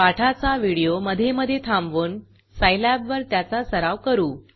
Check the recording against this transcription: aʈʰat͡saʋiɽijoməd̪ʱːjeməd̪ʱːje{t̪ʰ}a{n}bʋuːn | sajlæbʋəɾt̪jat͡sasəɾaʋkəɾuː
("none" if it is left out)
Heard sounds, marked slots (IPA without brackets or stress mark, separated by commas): t̪ʰ, m